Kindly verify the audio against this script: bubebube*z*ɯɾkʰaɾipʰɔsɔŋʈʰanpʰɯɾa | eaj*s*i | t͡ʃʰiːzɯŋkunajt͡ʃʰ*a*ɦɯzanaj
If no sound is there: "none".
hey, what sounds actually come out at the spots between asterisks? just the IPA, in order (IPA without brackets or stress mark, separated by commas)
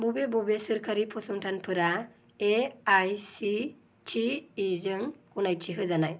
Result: s, s, i